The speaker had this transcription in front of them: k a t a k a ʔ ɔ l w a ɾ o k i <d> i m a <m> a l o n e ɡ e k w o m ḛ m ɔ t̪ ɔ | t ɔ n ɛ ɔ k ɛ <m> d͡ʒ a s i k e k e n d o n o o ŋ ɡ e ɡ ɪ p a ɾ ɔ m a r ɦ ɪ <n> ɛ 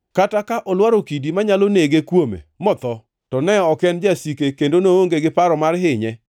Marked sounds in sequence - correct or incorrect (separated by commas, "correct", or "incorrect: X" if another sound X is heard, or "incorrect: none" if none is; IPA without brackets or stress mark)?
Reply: correct, incorrect: ɲ, incorrect: n, incorrect: ɲ